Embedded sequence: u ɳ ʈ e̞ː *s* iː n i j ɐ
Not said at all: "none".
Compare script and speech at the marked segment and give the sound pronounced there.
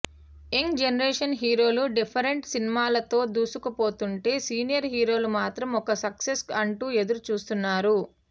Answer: s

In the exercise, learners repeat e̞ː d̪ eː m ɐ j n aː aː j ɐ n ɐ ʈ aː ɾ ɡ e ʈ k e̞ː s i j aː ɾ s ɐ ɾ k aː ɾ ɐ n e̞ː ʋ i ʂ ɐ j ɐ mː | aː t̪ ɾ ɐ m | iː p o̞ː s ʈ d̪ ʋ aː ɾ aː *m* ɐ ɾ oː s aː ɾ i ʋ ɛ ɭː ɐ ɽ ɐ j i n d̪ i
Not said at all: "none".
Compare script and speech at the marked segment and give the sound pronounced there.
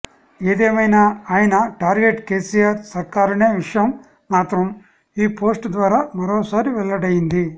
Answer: m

